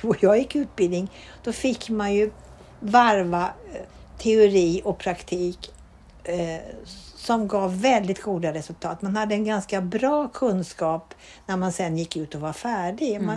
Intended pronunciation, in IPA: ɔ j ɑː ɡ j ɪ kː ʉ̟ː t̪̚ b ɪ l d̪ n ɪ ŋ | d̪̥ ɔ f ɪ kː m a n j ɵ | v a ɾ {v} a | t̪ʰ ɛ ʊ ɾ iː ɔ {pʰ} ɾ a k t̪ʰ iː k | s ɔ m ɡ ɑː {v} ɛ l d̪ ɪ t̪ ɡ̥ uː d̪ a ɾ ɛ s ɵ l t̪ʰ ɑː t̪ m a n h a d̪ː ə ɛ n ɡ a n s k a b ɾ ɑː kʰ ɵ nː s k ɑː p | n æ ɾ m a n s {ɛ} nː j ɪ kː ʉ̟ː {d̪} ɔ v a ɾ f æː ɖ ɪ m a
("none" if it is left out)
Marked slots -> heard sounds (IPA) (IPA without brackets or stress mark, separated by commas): v, pʰ, vː, ɛ, t̪